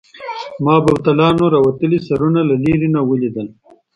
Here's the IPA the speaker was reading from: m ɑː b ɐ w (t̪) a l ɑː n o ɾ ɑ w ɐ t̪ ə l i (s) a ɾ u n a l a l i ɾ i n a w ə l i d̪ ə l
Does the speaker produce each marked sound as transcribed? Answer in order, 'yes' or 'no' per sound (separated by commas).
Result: yes, yes